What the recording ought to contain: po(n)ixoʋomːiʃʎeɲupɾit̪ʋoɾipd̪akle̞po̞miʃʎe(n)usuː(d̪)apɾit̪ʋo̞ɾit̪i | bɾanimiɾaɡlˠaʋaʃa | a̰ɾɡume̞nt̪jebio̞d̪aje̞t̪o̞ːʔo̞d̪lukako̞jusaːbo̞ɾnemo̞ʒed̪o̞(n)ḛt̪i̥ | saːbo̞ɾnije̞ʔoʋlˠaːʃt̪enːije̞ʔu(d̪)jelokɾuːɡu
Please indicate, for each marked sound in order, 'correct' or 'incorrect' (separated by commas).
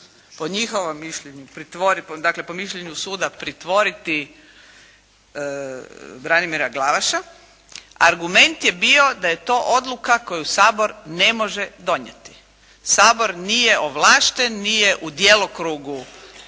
incorrect, incorrect, correct, incorrect, correct